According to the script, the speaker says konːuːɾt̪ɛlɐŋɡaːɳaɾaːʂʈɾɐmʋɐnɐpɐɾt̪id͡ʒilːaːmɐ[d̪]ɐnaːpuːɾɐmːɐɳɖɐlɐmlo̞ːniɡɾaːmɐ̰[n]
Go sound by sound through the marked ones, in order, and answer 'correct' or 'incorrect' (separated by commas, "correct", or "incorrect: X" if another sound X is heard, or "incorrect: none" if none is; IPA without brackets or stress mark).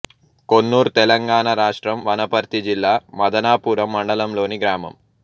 correct, incorrect: m